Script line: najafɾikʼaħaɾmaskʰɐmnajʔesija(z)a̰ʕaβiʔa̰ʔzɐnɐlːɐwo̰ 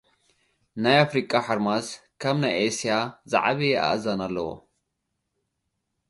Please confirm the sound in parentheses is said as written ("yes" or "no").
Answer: yes